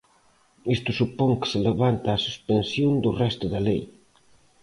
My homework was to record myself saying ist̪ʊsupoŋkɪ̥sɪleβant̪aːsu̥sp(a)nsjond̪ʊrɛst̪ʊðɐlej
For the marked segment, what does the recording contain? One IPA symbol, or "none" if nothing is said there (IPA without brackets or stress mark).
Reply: e